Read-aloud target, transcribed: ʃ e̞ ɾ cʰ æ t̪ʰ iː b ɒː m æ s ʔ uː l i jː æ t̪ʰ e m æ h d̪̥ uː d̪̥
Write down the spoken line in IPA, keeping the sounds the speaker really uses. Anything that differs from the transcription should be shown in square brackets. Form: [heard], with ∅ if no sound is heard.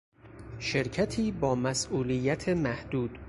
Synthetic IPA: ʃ e̞ ɾ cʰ æ t̪ʰ iː b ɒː m æ s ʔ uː l i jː æ t̪ʰ e m æ h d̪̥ uː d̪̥